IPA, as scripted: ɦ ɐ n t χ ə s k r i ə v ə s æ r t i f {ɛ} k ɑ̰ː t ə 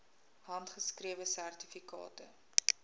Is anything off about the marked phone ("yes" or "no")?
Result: yes